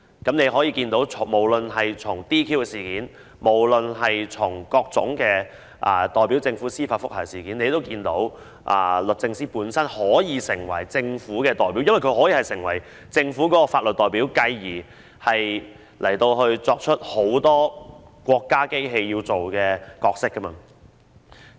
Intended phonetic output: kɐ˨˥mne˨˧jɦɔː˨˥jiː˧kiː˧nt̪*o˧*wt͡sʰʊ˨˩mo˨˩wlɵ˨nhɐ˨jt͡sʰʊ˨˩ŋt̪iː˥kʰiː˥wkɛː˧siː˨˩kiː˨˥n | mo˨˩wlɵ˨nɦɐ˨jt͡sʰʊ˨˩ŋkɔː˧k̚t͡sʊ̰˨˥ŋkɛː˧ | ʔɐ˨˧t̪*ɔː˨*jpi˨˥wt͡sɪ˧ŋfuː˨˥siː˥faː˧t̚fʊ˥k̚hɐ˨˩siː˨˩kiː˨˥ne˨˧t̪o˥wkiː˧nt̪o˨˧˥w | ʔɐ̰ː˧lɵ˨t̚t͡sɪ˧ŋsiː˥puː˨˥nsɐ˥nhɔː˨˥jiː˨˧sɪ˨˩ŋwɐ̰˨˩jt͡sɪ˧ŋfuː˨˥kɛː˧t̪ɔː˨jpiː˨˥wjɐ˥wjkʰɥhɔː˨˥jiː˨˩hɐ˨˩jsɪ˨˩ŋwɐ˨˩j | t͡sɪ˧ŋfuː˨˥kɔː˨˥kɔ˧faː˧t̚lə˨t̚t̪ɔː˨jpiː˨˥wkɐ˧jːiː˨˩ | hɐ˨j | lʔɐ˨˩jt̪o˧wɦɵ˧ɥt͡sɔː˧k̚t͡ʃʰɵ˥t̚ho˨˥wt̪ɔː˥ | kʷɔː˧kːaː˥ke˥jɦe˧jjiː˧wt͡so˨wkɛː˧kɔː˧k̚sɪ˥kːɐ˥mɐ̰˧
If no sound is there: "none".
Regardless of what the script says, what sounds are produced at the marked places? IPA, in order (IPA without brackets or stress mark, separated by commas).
o˨˥, ɔː˨